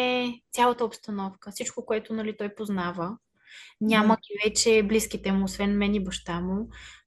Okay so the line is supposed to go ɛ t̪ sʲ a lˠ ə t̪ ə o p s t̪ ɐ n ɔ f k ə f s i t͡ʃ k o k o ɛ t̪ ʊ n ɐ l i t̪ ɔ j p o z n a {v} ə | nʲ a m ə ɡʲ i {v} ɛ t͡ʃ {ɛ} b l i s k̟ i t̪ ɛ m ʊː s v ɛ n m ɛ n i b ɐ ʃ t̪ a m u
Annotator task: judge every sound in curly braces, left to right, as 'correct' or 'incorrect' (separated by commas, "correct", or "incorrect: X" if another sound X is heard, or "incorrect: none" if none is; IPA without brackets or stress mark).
correct, correct, correct